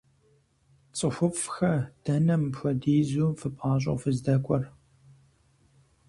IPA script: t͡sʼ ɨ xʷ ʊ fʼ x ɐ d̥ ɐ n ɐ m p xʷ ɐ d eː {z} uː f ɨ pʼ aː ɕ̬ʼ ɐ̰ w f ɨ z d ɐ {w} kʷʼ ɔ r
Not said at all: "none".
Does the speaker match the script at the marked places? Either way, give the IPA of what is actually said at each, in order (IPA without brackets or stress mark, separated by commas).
z, none